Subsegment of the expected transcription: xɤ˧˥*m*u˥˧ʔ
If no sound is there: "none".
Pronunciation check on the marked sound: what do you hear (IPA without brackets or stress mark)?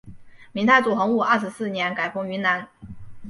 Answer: ŋ